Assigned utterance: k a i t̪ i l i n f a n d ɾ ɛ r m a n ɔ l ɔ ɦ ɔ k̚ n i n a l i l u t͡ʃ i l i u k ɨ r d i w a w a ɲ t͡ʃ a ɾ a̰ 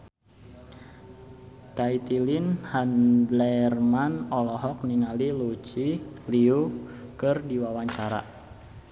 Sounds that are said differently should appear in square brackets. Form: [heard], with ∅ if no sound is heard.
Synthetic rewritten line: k a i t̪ i l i n [h] a n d [l] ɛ r m a n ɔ l ɔ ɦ ɔ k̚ n i [ŋ] a l i l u t͡ʃ i l i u k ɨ r d i w a w a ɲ t͡ʃ a ɾ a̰